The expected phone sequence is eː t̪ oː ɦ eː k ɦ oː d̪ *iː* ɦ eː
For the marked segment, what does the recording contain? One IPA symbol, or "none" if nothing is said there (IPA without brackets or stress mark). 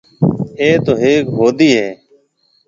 iː